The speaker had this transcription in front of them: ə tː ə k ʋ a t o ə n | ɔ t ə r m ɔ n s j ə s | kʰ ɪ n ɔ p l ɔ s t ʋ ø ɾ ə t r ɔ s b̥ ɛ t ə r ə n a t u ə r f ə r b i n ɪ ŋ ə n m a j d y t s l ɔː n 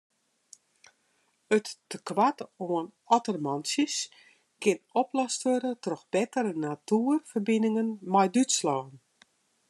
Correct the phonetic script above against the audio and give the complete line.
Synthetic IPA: ə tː ə k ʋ a t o ə n | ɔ t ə r m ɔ n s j ə s | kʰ ɪ n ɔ p l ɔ s t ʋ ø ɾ ə t r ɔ x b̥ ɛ t ə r ə n a t u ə r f ə r b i n ɪ ŋ ə n m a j d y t s l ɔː n

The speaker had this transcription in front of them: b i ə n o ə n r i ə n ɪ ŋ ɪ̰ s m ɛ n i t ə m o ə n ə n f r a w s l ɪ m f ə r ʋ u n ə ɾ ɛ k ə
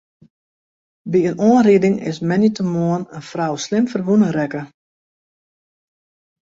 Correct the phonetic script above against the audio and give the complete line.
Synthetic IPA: b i ə n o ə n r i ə d ɪ ŋ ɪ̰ s m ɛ n i t ə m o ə n ə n f r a w s l ɪ m f ə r ʋ u n ə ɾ ɛ k ə

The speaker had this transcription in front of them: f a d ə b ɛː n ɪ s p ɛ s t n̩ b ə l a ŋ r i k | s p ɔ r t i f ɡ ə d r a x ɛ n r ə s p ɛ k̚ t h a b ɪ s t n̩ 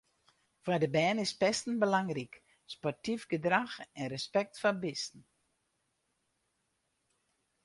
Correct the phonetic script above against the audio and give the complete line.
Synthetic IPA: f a d ə b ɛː n ɪ s p ɛ s t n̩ b ə l a ŋ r i k | s p ɔ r t i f ɡ ə d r a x ɛ n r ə s p ɛ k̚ t f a b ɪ s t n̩

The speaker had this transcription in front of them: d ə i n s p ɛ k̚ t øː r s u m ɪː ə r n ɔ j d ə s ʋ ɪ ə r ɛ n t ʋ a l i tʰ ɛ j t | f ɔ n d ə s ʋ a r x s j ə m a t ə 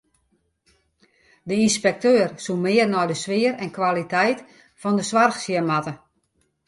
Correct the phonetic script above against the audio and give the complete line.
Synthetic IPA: d ə i n s p ɛ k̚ t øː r s u m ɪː ə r n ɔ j d ə s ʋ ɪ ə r ɛ n k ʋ a l i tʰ ɛ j t | f ɔ n d ə s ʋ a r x s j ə m a t ə

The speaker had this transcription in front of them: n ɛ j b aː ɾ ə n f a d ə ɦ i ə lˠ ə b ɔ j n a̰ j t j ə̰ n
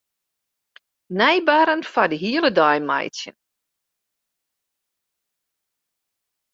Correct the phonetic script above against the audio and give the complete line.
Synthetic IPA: n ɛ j b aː ɾ ə n f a d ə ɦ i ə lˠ ə d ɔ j m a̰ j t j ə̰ n

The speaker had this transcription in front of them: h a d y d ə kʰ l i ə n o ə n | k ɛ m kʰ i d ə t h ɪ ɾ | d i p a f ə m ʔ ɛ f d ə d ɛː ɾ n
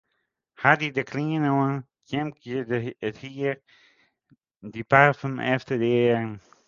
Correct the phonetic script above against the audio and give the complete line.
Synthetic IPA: h a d i d ə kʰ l i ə n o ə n | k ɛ m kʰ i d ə t h i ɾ | d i p a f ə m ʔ ɛ f t ə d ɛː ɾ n

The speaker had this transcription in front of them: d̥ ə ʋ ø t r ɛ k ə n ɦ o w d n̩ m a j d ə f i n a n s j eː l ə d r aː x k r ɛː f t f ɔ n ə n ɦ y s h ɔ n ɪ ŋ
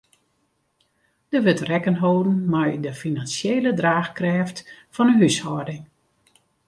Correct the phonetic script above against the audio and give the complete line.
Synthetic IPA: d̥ ə ʋ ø t r ɛ k ə n ɦ o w d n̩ m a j d ə f i n a n s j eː l ə d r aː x k r ɛː f t f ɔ n ə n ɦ y s h ɔ d ɪ ŋ

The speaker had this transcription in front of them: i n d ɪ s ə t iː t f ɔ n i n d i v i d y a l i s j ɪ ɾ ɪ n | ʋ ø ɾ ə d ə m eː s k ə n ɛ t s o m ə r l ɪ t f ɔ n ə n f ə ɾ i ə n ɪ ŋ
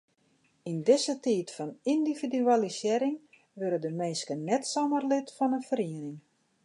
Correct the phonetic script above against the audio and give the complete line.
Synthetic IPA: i n d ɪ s ə t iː t f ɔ n i n d i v i d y a l i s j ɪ ɾ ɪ ŋ | ʋ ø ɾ ə d ə m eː s k ə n ɛ t s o m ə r l ɪ t f ɔ n ə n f ə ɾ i ə n ɪ ŋ

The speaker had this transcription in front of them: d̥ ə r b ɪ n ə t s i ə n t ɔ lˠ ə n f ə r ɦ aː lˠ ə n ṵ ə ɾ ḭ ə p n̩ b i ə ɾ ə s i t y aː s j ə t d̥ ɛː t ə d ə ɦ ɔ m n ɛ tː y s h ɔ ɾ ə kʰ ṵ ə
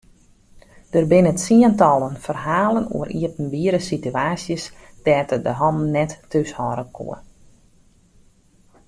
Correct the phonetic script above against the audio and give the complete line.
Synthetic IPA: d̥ ə r b ɪ n ə t s i ə n t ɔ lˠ ə n f ə r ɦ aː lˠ ə n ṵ ə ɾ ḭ ə p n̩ b i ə ɾ ə s i t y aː s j ə s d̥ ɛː t ə d ə ɦ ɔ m n ɛ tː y s h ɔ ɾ ə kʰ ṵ ə

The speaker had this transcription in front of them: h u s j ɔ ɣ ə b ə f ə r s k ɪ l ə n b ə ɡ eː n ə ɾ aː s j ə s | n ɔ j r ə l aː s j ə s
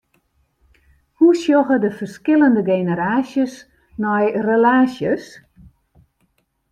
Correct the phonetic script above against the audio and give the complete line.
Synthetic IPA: h u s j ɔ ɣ ə d ə f ə r s k ɪ l ə n d ə ɡ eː n ə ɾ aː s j ə s | n ɔ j r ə l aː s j ə s

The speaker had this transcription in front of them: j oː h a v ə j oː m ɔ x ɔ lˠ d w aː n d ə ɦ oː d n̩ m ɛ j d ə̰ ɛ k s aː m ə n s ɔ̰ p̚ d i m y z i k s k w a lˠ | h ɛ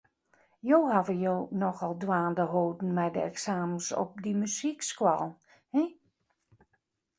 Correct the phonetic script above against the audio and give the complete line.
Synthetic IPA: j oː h a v ə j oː n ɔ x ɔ lˠ d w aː n d ə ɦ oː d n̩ m ɛ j d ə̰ ɛ k s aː m ə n s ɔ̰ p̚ d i m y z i k s k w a lˠ | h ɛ

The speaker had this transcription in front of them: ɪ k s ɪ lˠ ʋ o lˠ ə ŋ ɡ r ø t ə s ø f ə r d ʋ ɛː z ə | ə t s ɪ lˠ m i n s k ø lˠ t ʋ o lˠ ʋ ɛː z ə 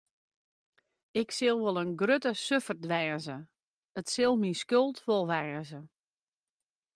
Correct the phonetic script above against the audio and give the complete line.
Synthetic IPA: ɪ k s ɪ lˠ ʋ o lˠ ə n ɡ r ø t ə s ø f ə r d ʋ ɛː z ə | ə t s ɪ lˠ m i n s k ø lˠ t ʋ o lˠ ʋ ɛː z ə

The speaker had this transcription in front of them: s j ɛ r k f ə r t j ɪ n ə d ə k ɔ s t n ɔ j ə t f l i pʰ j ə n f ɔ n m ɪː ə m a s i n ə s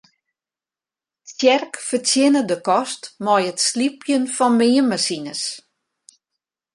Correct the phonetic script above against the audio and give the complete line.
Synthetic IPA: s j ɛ r k f ə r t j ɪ n ə d ə k ɔ s t m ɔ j ə t s l i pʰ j ə n f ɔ n m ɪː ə m a s i n ə s

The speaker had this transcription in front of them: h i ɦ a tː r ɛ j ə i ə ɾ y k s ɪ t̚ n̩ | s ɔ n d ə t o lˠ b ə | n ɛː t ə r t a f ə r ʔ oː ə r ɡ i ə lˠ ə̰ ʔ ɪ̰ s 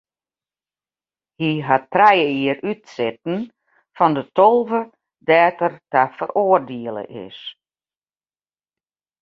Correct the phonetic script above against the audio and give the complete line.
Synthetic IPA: h i ɦ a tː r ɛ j ə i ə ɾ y t s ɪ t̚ n̩ | f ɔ n d ə t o lˠ v ə | d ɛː t ə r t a f ə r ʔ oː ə r d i ə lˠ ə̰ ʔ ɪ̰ s

